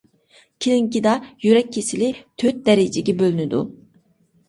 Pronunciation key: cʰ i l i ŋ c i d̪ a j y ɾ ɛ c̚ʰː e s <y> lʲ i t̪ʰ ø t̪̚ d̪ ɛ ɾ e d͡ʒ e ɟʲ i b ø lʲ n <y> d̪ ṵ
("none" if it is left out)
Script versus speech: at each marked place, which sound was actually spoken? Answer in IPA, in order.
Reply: i, y

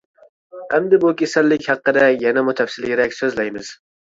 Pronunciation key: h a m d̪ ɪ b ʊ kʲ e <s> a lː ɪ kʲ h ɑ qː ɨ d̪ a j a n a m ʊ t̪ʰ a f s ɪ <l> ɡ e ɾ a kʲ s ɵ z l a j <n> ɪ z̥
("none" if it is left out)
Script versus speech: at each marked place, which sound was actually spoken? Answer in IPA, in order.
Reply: s, l, m

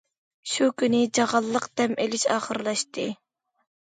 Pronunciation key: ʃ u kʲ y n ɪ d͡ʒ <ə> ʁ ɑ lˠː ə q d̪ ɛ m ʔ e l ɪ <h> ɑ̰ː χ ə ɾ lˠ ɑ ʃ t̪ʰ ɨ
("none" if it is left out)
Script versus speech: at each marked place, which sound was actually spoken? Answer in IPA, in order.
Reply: ɑ, ʃ

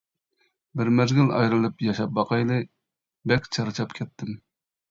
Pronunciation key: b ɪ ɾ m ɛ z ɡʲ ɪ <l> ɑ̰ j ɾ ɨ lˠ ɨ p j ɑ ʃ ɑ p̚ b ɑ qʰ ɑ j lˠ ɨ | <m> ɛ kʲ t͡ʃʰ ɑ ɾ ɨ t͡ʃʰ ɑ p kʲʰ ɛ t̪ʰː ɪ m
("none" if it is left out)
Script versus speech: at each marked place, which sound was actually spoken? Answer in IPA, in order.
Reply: l, b

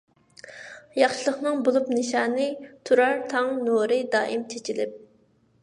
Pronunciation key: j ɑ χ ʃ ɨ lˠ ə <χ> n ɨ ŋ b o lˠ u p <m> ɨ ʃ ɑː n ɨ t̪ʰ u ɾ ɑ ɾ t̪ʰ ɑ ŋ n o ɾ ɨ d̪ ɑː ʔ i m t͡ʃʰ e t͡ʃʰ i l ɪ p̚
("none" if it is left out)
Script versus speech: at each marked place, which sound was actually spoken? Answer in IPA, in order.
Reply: χ, n

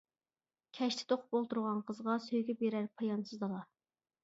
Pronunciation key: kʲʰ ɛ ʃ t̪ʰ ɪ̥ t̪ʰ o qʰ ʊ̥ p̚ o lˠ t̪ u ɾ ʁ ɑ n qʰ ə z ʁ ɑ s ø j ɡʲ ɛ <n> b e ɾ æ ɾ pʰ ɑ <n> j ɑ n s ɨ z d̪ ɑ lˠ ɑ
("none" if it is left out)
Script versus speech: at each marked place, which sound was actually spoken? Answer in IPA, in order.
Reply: none, none

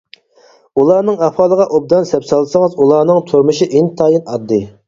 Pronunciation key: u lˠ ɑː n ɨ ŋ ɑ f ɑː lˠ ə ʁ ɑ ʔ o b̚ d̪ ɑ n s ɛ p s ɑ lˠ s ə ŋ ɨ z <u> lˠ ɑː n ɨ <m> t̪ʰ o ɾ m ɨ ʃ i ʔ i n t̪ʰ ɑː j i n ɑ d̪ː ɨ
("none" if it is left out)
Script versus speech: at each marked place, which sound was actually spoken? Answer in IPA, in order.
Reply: u, ŋ

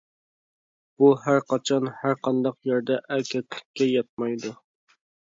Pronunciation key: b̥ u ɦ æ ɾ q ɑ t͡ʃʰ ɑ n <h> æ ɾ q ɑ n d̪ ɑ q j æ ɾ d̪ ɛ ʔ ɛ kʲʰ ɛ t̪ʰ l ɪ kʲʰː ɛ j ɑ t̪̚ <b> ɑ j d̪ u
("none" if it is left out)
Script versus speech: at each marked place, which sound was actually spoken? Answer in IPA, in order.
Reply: h, m

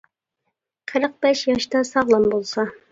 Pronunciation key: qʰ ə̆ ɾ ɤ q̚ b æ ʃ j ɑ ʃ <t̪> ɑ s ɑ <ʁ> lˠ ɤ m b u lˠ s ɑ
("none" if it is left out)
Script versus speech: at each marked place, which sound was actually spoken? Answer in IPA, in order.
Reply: t̪, ʁ

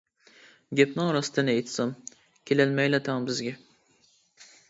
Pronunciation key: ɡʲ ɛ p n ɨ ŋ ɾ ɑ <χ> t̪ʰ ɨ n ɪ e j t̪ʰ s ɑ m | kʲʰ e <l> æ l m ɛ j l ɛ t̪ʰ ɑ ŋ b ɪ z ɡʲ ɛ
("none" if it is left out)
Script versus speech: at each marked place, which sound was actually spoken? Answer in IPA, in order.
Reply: s, l

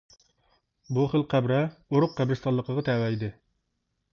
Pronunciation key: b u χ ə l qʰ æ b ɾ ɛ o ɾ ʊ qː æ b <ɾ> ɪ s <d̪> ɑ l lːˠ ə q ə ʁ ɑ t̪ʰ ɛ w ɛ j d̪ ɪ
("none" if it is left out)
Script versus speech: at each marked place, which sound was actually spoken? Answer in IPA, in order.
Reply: ɾ, t̪

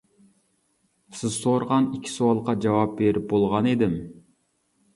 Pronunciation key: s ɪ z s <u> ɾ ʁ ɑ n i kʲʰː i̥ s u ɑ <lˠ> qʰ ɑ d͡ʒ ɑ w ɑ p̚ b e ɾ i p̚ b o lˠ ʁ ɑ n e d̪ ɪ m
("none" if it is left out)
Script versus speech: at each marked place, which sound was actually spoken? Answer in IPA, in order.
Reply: o, lˠ

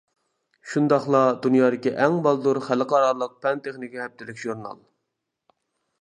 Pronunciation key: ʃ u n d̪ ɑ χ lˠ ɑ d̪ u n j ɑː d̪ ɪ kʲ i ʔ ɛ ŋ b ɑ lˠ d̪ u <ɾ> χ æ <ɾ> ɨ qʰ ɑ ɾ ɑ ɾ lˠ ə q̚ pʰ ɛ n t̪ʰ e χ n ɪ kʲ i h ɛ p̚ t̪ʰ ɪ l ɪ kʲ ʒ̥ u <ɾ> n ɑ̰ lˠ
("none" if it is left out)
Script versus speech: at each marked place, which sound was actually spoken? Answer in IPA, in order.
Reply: ɾ, l, ɾ

